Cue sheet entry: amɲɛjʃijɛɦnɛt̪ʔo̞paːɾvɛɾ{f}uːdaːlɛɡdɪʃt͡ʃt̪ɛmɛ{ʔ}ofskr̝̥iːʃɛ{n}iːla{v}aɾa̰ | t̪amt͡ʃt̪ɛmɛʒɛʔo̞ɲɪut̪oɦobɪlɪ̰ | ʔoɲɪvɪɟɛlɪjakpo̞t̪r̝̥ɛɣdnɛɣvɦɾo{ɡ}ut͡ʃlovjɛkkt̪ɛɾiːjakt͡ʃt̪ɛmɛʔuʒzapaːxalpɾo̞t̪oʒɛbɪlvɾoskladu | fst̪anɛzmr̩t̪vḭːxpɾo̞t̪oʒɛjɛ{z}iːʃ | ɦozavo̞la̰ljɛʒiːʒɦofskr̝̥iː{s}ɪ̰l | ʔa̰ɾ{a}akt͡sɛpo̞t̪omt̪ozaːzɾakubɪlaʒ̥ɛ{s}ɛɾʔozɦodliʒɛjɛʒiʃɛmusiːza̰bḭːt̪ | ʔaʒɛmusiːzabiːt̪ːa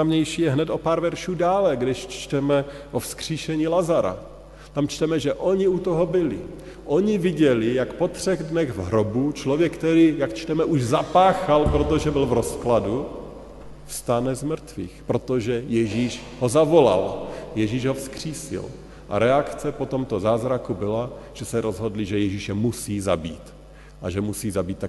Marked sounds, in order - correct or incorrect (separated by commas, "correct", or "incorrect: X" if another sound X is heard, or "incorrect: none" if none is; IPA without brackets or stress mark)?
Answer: incorrect: ʃ, correct, incorrect: ɲ, incorrect: z, incorrect: b, incorrect: ʒ, correct, incorrect: ɛ, correct